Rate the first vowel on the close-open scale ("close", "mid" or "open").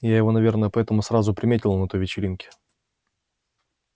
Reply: open